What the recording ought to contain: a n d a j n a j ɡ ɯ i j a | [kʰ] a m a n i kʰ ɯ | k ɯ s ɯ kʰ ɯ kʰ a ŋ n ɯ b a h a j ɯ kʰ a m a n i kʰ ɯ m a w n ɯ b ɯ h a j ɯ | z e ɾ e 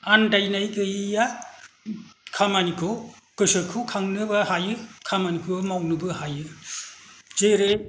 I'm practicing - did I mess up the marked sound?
no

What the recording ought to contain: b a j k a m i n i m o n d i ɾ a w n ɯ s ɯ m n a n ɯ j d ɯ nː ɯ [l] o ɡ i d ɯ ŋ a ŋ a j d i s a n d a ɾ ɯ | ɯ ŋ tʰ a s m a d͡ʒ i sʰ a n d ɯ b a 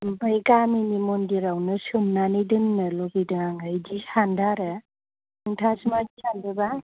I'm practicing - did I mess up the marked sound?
no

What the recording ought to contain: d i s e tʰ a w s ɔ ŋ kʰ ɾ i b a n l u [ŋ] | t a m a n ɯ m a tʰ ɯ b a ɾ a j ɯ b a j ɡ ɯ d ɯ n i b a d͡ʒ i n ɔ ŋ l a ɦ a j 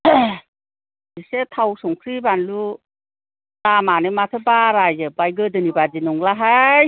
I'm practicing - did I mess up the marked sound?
yes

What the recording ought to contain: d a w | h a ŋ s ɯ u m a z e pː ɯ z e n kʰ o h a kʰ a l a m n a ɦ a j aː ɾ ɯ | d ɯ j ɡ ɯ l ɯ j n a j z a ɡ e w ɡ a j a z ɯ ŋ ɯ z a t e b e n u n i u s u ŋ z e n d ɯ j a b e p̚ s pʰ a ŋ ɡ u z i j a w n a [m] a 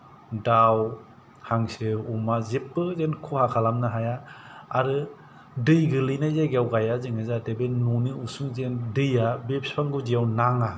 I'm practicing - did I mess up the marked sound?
yes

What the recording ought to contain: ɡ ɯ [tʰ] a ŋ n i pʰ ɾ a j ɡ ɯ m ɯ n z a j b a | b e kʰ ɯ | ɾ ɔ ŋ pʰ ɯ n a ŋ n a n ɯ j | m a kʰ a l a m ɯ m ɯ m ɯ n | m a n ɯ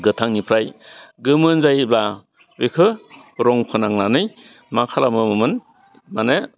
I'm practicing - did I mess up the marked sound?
no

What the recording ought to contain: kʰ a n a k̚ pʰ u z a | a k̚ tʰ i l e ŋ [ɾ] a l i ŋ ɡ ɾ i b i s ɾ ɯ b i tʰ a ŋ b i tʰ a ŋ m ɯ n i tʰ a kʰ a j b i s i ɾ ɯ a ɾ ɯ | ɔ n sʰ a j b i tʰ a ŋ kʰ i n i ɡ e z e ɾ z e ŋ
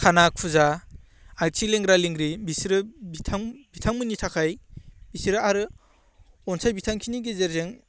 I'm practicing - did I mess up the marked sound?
no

